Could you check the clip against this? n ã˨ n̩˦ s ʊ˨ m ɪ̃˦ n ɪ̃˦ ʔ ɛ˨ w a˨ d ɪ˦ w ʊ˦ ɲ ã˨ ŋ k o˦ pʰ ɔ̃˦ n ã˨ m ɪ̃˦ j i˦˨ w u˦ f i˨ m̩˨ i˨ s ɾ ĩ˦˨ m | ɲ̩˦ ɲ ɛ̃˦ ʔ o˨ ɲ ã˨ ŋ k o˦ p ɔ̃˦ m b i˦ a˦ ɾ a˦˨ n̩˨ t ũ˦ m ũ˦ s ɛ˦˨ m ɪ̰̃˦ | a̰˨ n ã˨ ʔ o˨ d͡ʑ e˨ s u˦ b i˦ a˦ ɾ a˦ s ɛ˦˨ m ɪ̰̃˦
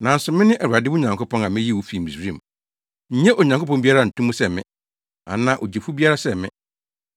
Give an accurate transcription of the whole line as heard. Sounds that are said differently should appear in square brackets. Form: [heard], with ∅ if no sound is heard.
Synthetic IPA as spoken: n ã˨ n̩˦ s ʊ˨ m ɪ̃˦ n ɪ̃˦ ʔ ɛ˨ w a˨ d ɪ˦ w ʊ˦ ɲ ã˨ ŋ k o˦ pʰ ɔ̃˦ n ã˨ m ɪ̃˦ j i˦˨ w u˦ f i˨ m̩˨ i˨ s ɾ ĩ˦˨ m | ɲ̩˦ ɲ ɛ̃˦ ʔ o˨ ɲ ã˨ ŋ k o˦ p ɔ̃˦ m b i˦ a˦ ɾ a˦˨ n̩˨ t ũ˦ m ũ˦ s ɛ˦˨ m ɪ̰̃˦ | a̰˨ n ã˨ ʔ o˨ d͡ʑ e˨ [f] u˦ b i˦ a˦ ɾ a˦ s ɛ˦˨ m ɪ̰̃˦

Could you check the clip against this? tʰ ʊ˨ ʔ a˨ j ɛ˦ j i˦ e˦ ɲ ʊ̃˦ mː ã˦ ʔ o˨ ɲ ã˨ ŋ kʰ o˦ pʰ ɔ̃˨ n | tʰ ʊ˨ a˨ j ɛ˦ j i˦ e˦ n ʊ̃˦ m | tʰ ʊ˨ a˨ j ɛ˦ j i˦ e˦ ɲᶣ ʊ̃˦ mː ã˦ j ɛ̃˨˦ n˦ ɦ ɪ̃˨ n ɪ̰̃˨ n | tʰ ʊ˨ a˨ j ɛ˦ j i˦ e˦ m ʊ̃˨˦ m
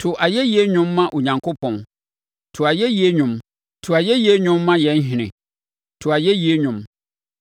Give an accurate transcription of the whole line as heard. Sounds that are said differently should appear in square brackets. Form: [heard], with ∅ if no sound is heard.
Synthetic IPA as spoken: tʰ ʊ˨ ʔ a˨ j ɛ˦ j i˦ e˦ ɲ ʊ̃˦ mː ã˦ ʔ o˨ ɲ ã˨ ŋ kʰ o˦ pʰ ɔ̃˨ n | tʰ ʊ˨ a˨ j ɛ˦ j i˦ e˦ [ɲ] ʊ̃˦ m | tʰ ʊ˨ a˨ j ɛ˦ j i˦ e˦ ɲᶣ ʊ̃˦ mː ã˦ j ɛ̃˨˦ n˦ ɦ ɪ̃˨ n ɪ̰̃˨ [∅] | tʰ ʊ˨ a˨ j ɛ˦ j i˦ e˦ [ɲ] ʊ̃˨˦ m

